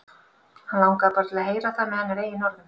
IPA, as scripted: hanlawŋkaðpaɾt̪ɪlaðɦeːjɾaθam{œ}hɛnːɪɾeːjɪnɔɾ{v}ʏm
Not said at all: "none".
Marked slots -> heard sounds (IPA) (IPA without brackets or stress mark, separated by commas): ɛ, ð